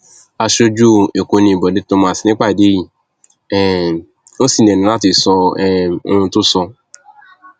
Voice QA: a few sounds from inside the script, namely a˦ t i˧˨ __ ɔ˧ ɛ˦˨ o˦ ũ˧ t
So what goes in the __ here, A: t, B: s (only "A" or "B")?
B